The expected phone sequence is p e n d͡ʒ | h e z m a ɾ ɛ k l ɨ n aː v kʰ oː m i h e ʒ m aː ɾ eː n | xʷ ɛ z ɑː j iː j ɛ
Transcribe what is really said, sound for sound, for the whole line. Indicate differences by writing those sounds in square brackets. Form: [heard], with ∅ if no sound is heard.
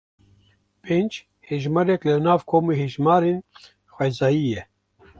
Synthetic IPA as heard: p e n d͡ʒ | h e [ʒ] m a ɾ ɛ k l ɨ n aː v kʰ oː m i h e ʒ m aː ɾ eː n | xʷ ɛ z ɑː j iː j ɛ